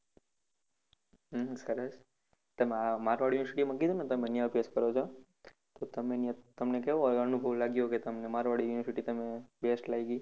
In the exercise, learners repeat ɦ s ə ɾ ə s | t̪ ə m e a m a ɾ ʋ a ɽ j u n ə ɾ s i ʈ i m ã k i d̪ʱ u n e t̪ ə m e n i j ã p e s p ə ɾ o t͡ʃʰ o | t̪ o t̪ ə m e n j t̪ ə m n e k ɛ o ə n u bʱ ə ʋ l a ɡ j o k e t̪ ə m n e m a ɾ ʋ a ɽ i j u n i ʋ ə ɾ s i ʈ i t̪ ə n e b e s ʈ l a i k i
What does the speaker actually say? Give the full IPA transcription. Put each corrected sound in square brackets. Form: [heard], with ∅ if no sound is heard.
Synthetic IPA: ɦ s ə ɾ ə s | t̪ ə m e a m a ɾ ʋ a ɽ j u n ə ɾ s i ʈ i m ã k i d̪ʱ u n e t̪ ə m e n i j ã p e s [k] ə ɾ o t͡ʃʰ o | t̪ o t̪ ə m e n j t̪ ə m n e k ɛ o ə n u bʱ ə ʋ l a ɡ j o k e t̪ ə m n e m a ɾ ʋ a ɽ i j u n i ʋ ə ɾ s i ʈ i t̪ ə [m] e b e s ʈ l a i [ɡ] i

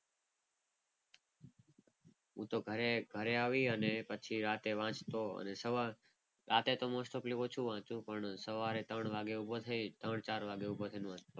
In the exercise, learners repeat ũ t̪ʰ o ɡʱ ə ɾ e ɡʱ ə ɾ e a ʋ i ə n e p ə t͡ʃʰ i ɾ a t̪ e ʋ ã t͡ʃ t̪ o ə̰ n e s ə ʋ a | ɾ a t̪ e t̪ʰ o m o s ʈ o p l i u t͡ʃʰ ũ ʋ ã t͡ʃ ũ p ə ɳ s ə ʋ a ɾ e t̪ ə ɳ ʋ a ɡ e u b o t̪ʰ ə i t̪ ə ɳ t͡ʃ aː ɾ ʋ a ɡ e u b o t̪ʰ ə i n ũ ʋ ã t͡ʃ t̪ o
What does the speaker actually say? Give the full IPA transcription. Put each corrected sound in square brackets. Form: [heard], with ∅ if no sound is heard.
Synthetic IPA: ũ [t̪] o ɡʱ ə ɾ e ɡʱ ə ɾ e a ʋ i ə n e p ə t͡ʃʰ i ɾ a t̪ e ʋ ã t͡ʃ t̪ o ə̰ n e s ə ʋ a | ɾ a t̪ e [t̪] o m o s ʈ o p l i [o] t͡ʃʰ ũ ʋ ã t͡ʃ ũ p ə ɳ s ə ʋ a ɾ e t̪ ə ɳ ʋ a ɡ e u b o t̪ʰ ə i t̪ ə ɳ t͡ʃ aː ɾ ʋ a ɡ e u b o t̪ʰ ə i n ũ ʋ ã t͡ʃ t̪ o

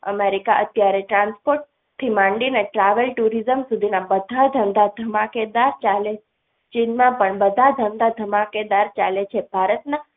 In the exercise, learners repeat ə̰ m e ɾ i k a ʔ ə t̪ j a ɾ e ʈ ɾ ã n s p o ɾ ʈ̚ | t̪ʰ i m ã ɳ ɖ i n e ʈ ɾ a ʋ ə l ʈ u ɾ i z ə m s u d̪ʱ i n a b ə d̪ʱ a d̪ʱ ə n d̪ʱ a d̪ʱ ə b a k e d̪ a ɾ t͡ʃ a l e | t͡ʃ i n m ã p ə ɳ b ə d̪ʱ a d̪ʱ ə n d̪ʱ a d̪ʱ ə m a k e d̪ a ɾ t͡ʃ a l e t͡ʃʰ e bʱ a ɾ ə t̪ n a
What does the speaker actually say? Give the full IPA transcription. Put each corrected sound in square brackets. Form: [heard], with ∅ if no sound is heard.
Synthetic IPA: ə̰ m e ɾ i k a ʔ ə t̪ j a ɾ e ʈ ɾ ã n s p o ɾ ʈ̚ | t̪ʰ i m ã ɳ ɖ i n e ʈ ɾ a ʋ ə l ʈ u ɾ i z ə m s u d̪ʱ i n a b ə d̪ʱ a d̪ʱ ə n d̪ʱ a d̪ʱ ə [m] a k e d̪ a ɾ t͡ʃ a l e | t͡ʃ i n m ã p ə ɳ b ə d̪ʱ a d̪ʱ ə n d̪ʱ a d̪ʱ ə m a k e d̪ a ɾ t͡ʃ a l e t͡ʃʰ e bʱ a ɾ ə t̪ n a

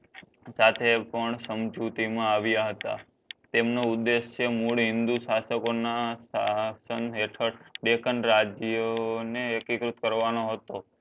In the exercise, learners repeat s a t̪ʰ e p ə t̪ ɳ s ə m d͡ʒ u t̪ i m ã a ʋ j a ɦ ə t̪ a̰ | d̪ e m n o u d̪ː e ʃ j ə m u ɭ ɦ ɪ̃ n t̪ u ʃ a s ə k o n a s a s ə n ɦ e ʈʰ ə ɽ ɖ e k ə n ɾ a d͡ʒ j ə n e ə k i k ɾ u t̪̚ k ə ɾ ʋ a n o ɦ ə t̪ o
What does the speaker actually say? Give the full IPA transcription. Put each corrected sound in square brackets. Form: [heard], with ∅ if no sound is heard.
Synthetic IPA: s a t̪ʰ e p ə [∅] ɳ s ə m d͡ʒ u t̪ i m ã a ʋ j a ɦ ə t̪ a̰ | [t̪] e m n o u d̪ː e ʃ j ə m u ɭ ɦ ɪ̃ n [d̪] u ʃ a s ə k o n a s a s ə n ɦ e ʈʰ ə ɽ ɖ e k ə n ɾ a d͡ʒ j ə n e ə k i k ɾ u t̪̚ k ə ɾ ʋ a n o ɦ ə t̪ o

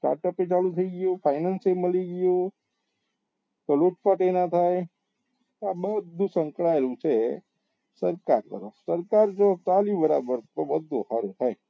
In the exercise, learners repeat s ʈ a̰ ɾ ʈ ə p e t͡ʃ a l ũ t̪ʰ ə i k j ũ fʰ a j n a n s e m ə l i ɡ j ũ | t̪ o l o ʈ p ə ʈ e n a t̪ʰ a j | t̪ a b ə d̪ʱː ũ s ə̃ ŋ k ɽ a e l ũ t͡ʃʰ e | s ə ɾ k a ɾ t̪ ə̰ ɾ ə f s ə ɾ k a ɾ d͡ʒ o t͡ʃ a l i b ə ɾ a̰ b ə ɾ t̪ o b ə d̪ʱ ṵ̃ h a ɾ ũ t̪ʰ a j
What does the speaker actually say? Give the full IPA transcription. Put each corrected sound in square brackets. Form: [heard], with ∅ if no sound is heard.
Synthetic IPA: s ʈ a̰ ɾ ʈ ə p e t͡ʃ a l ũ t̪ʰ ə i [ɡ] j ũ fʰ a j n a n s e m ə l i ɡ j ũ | t̪ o l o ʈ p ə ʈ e n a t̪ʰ a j | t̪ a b ə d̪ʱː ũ s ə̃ ŋ k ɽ a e l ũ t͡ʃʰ e | s ə ɾ k a ɾ t̪ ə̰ ɾ ə f s ə ɾ k a ɾ d͡ʒ o t͡ʃ a l i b ə ɾ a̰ b ə ɾ t̪ o b ə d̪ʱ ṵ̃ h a ɾ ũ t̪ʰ a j

